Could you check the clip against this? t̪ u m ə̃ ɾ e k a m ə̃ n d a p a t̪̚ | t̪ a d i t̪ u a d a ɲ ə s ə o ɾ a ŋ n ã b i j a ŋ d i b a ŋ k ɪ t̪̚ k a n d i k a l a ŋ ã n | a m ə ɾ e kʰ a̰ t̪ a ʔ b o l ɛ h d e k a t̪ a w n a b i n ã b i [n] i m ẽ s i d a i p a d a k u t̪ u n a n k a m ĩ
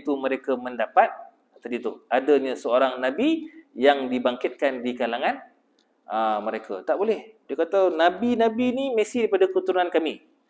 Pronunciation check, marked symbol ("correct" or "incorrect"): correct